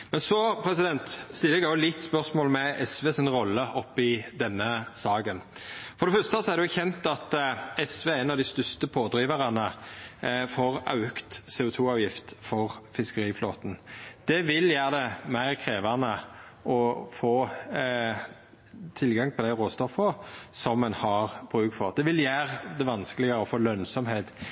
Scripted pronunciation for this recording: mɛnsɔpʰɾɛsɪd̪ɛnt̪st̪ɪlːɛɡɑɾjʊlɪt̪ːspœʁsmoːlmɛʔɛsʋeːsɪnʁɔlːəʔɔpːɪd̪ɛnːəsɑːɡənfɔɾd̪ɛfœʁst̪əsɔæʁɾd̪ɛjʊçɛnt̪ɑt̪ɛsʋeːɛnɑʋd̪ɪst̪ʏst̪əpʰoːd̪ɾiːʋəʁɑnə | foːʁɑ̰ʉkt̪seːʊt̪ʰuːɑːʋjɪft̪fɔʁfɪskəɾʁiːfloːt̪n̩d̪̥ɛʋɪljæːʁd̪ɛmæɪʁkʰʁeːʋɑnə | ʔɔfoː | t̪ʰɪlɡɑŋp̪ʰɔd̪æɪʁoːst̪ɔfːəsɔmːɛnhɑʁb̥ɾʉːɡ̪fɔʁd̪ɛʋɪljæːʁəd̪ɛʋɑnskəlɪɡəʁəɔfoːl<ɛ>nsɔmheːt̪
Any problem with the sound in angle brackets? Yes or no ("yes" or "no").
yes